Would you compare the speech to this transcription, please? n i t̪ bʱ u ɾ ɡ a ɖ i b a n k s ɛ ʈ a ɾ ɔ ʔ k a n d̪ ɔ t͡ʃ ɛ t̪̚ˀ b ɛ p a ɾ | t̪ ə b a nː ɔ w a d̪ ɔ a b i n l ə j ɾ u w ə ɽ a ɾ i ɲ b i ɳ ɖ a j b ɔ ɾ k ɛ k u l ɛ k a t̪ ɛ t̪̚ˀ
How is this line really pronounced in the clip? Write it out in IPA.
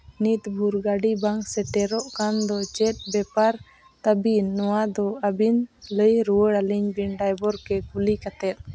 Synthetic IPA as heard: n i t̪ bʱ u ɾ ɡ a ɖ i b a ŋ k s ɛ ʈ ɛ ɾ ɔ ʔ k a n d̪ ɔ t͡ʃ ɛ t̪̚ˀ b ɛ p a ɾ | t̪ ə b i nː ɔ w a d̪ ɔ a b i n l ə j ɾ u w ə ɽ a l i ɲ b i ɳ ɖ a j b ɔ ɾ k ɛ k u l i k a t̪ ɛ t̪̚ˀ